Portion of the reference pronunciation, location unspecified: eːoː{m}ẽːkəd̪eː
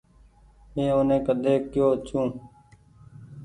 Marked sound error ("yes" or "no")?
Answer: yes